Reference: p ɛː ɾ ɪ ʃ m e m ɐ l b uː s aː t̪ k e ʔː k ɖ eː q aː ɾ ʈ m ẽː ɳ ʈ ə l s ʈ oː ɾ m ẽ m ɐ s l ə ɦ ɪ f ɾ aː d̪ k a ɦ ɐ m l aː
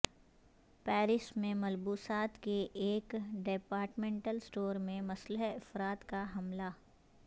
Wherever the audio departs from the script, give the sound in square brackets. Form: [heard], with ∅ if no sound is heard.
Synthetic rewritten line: p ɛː ɾ ɪ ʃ m [ẽ] m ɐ l b uː s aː t̪ k e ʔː k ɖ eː [p] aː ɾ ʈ m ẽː ɳ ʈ ə l s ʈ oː ɾ m ẽ m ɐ s l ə ɦ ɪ f ɾ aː [t̪] k a ɦ ɐ m l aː